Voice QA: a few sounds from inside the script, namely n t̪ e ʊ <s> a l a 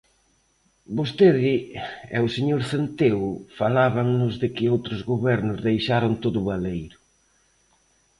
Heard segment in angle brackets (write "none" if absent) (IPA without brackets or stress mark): f